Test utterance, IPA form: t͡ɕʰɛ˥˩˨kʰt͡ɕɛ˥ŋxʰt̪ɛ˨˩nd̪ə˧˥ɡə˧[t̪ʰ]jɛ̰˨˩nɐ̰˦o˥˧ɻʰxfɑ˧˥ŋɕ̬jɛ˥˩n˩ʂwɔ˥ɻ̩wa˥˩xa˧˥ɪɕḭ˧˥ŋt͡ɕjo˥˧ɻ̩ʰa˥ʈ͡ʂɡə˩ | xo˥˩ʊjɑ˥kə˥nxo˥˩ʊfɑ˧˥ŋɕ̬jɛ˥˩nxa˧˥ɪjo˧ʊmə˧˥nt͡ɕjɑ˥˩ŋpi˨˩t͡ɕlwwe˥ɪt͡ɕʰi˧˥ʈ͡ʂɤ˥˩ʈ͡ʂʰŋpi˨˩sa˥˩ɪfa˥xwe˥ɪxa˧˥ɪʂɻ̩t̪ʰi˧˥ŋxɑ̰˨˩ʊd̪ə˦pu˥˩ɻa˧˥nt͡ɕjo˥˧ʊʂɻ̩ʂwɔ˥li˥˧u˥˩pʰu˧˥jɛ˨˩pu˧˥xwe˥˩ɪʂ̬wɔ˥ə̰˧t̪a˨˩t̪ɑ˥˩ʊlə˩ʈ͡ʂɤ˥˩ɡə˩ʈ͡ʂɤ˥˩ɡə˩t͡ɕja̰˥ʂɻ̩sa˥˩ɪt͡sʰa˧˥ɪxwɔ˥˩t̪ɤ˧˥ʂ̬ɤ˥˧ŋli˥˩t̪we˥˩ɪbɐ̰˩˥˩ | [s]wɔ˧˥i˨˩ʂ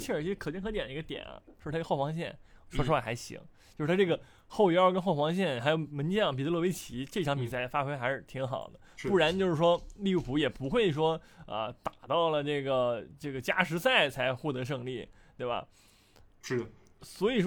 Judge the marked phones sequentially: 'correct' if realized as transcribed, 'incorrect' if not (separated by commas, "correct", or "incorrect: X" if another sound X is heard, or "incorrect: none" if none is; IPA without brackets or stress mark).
incorrect: t̪, correct